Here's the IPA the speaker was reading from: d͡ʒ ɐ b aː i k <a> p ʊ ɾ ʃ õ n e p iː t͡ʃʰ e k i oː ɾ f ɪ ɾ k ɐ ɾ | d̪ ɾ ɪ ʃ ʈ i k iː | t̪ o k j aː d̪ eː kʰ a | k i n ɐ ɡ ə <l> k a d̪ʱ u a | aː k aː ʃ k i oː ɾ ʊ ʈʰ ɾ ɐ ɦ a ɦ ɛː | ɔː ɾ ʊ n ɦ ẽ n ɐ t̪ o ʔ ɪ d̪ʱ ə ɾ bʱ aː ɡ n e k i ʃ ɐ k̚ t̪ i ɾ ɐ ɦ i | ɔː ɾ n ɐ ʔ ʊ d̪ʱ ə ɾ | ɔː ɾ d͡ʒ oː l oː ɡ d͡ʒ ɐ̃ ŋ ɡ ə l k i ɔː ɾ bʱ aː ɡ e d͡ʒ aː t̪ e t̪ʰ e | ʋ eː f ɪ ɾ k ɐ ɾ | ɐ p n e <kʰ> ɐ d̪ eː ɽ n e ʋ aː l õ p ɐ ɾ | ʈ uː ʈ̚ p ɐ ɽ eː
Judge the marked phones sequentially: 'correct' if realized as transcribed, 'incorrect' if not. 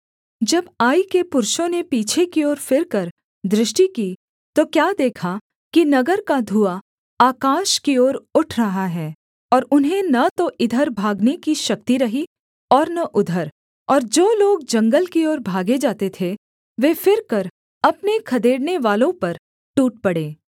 incorrect, incorrect, correct

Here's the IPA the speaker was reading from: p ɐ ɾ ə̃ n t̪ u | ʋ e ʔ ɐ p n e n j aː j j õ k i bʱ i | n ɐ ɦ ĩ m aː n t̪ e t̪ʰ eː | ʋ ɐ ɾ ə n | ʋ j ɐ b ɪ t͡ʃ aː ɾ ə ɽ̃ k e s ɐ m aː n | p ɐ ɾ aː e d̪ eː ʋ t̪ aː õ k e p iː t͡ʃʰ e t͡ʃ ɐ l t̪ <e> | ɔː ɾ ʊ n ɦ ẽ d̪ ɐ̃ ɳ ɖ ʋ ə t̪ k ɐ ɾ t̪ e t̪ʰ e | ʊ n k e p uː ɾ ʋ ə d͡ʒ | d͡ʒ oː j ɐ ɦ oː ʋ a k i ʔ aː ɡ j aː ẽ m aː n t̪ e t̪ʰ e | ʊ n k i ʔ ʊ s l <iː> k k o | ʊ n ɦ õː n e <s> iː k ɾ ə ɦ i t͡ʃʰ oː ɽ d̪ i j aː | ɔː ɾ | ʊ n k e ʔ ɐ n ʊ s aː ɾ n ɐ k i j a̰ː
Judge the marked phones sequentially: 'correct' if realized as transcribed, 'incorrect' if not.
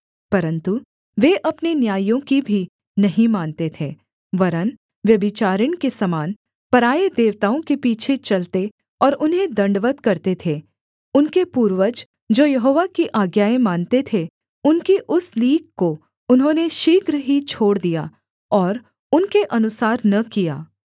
correct, correct, incorrect

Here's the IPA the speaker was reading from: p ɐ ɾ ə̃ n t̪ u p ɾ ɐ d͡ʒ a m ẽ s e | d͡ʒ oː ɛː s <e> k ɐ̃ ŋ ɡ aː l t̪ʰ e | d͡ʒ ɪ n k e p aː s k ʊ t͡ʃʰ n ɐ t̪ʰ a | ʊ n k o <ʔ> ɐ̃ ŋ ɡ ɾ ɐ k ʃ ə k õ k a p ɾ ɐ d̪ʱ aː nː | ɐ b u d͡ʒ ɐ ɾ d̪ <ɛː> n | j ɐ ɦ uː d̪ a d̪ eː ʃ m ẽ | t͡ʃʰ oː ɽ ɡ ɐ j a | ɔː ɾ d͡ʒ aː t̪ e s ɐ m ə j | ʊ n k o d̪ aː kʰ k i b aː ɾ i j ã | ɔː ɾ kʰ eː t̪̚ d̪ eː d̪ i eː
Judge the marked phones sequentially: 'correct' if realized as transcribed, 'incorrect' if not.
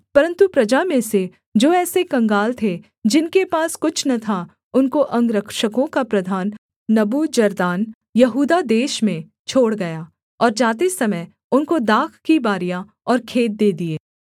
correct, correct, incorrect

